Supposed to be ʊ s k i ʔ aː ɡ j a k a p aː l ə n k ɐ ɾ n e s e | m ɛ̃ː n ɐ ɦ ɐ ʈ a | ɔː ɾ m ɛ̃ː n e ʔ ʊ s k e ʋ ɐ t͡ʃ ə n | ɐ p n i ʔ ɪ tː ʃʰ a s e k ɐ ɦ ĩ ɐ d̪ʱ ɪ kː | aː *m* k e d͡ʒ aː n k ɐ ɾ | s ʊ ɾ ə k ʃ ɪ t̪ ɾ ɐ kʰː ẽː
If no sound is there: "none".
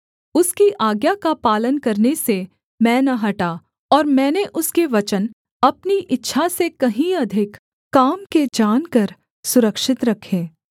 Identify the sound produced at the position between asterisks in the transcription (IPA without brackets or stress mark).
m